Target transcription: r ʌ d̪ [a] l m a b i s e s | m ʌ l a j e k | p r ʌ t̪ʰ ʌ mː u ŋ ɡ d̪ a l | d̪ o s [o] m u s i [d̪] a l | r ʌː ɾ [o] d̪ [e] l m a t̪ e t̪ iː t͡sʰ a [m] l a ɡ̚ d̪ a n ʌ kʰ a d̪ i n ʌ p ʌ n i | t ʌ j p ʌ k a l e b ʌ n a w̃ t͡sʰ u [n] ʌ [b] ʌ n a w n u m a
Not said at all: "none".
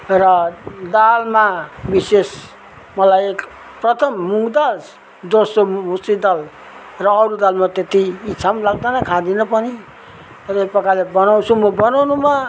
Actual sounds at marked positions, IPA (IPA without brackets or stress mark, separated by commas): a, o, d̪, u, a, m, m, b